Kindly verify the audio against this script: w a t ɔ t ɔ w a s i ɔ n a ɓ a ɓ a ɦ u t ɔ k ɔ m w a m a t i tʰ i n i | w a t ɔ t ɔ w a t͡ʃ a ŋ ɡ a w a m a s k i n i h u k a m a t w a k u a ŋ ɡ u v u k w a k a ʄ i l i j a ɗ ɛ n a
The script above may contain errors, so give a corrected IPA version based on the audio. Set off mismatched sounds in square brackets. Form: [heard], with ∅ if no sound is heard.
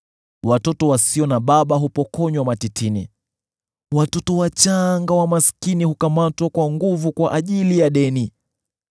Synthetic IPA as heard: w a t ɔ t ɔ w a s i ɔ n a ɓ a ɓ a ɦ u [p] ɔ k ɔ [ɲ] w a m a t i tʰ i n i | w a t ɔ t ɔ w a t͡ʃ a ŋ ɡ a w a m a s k i n i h u k a m a t w a k [w] a ŋ ɡ u v u k w a [ʔ] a ʄ i l i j a ɗ ɛ n [i]